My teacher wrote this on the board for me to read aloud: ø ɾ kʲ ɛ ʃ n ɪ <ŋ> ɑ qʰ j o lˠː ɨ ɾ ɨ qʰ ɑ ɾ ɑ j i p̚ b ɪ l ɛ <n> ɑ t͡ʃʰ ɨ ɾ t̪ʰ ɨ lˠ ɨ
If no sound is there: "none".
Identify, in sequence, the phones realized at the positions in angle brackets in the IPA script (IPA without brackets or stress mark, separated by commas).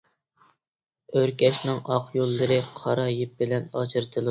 ŋ, n